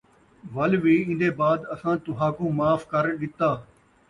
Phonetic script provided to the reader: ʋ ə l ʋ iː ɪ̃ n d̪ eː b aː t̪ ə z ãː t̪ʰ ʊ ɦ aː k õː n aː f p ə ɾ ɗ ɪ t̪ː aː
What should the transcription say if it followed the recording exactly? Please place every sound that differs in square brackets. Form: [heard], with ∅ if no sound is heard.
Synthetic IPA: ʋ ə l ʋ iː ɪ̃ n d̪ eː b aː [d̪] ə [s] ãː [t̪] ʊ ɦ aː k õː [m] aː f [k] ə ɾ ɗ ɪ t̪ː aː